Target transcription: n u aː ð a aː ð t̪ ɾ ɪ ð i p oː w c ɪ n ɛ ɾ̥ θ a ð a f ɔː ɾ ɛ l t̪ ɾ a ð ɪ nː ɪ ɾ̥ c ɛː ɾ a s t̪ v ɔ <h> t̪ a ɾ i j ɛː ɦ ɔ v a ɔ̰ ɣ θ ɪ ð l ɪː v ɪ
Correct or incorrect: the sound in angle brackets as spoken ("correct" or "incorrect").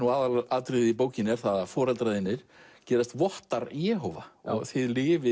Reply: correct